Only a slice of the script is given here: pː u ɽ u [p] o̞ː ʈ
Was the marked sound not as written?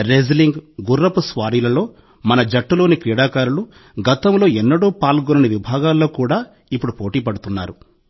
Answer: no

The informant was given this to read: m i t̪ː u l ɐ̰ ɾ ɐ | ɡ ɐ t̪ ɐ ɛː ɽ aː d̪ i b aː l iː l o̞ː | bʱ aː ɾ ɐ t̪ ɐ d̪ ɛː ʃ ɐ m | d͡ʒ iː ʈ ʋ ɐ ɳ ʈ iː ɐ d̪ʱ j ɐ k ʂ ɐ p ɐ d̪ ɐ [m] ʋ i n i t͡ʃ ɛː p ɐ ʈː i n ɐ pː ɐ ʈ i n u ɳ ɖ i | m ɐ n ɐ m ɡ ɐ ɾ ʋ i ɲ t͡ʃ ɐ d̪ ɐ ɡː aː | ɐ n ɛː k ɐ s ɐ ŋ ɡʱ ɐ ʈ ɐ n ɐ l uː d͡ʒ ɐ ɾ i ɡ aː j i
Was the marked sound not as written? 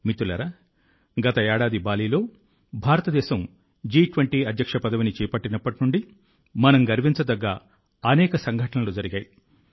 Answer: yes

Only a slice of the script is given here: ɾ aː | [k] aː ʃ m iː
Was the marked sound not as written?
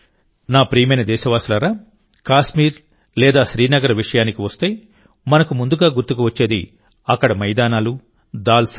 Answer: no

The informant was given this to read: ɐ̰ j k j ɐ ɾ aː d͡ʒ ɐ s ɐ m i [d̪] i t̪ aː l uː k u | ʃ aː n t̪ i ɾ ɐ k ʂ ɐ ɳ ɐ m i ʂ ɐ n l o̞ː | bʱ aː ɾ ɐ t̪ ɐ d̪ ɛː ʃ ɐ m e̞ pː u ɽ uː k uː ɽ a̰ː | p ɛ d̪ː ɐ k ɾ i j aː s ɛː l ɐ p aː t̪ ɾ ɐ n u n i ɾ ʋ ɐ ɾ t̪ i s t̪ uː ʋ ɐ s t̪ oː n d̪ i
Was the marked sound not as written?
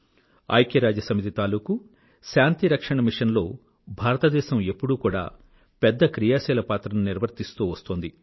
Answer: yes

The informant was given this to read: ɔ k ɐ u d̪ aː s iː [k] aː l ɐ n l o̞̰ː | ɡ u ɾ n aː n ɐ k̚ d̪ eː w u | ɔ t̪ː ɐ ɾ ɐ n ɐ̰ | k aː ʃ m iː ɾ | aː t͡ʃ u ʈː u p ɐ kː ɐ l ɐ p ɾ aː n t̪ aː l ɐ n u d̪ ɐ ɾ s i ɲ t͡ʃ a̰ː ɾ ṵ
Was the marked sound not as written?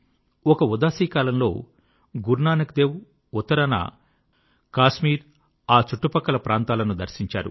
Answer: no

